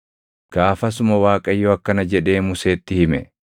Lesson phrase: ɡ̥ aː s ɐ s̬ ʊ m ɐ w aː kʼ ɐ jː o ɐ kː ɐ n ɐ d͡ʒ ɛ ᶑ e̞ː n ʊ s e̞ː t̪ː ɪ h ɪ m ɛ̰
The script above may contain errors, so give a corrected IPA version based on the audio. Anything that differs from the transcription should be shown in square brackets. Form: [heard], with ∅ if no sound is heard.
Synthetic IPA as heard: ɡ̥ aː [f] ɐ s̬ ʊ m ɐ w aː kʼ ɐ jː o ɐ kː ɐ n ɐ d͡ʒ ɛ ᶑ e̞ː [m] ʊ s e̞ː t̪ː ɪ h ɪ m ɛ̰